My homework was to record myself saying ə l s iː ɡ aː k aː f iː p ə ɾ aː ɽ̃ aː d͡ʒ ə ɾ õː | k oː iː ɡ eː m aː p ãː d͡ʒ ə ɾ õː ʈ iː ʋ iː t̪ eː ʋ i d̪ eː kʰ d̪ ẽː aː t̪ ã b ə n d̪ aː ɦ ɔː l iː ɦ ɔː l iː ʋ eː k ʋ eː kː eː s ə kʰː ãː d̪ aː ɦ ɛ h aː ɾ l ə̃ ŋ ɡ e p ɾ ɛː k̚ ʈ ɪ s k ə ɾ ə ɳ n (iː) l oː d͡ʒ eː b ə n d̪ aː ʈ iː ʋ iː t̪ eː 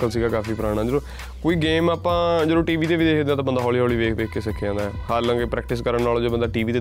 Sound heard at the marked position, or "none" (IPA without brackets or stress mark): aː